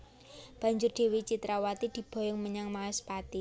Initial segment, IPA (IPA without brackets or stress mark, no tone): b̥